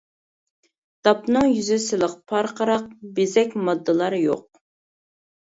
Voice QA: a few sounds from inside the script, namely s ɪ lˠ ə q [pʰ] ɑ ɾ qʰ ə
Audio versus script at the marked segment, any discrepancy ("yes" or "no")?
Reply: no